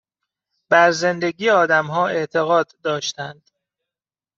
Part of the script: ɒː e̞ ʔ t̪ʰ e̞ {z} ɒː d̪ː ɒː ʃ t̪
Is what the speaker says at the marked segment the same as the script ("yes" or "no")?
no